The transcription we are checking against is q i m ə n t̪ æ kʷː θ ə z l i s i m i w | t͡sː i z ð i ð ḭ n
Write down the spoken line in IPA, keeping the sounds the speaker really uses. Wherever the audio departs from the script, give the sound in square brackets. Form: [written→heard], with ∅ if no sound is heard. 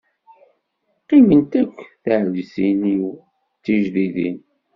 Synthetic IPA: q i m ə n t̪ æ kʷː θ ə [z→ʕ] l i s i [m→n] i w | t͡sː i [z→ʒ] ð i ð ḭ n